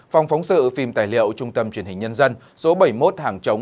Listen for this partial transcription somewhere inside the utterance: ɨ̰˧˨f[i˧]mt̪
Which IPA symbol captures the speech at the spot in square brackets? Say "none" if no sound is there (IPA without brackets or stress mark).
i˧